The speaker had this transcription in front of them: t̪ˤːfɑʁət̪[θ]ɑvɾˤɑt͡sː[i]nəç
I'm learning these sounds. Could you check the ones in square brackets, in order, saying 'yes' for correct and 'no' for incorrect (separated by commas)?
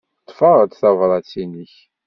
yes, yes